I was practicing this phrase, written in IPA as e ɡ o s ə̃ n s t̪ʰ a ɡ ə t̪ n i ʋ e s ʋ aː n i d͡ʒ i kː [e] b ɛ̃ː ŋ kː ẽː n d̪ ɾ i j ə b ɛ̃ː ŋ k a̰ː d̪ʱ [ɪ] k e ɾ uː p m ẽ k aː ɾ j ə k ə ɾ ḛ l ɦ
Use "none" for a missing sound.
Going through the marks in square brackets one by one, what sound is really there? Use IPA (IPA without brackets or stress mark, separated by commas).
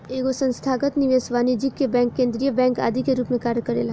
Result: e, i